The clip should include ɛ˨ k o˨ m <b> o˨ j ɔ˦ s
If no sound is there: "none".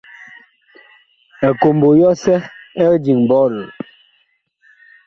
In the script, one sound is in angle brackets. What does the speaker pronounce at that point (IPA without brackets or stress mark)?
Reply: b